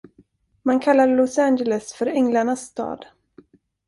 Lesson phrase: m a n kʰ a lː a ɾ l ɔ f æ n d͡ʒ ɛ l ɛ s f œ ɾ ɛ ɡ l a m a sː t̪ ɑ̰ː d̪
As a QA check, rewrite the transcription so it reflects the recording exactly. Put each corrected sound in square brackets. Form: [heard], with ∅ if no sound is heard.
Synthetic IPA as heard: m a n kʰ a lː a ɾ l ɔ [s] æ n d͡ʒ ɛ l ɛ s f œ ɾ ɛ [ŋ] l a [ɳ] a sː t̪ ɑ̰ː d̪